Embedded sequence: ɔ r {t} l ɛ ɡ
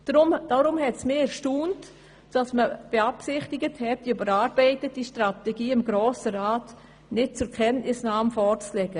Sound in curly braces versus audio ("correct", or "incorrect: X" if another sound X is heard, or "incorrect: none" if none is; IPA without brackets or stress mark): incorrect: t͡s